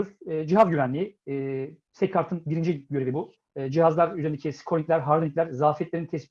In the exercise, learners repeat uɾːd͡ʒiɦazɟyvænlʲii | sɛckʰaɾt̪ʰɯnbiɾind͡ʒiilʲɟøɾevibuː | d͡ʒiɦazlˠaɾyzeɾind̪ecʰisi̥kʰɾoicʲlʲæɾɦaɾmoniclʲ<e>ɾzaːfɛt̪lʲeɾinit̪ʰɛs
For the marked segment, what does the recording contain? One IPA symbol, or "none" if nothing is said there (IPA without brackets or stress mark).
æ